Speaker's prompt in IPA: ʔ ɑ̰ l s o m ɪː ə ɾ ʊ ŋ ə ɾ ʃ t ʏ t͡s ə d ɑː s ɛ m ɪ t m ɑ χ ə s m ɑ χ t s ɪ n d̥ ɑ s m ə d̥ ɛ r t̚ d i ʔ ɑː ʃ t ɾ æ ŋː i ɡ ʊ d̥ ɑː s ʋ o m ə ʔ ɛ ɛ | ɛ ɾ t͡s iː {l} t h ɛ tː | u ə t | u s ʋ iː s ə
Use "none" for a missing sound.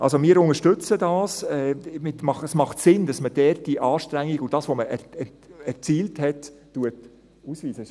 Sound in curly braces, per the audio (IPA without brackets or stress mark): l